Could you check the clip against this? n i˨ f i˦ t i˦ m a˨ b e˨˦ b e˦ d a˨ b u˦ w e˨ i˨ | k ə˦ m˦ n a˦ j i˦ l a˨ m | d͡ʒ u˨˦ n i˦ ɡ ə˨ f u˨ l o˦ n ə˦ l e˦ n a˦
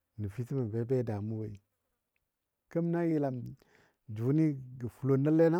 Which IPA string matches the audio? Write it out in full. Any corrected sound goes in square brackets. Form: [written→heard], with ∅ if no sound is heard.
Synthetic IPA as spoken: n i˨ f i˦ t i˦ m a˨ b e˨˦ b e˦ d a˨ [b→m] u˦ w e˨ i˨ | k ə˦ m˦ n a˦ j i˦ l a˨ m | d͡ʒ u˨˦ n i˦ ɡ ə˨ f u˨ l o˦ n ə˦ l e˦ n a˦